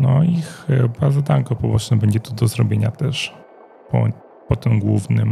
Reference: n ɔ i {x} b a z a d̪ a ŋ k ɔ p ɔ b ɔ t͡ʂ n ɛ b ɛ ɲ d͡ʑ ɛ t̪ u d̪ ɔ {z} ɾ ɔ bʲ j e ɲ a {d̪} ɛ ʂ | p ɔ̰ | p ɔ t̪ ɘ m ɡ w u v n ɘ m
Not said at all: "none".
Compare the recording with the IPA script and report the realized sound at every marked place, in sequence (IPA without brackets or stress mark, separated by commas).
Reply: x, z, t̪